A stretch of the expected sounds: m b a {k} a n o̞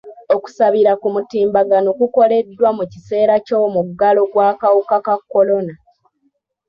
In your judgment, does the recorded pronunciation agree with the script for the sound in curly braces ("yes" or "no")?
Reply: no